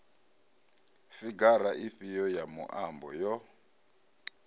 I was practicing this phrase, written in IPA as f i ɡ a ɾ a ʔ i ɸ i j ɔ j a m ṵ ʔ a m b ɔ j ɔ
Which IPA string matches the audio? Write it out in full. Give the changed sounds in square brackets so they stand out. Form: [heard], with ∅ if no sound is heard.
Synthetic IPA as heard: f i ɡ a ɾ a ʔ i ɸ i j ɔ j a m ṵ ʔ a m b ɔ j ɔ